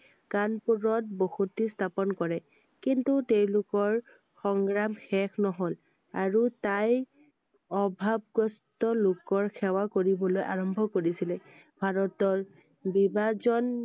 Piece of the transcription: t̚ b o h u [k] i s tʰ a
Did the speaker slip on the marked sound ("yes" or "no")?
yes